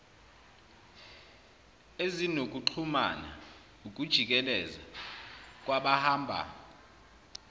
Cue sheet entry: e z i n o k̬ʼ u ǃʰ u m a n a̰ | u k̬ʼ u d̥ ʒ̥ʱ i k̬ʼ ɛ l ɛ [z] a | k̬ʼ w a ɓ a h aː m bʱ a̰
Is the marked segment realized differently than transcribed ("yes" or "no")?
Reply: no